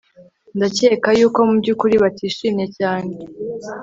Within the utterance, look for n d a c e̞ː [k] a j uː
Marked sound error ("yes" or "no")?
no